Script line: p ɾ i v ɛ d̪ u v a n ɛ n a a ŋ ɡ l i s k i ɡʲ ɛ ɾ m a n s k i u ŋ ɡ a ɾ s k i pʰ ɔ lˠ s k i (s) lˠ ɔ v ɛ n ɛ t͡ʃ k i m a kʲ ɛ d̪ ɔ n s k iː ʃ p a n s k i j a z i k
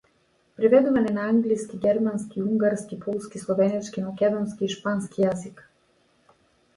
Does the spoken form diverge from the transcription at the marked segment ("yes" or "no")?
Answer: no